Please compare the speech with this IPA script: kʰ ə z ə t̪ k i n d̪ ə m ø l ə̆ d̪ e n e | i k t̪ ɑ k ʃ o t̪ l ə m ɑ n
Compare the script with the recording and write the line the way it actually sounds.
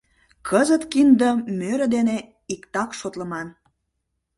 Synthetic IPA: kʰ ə z ə t̪ k i n d̪ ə m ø ɾ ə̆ d̪ e n e | i k t̪ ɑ k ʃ o t̪ l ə m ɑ n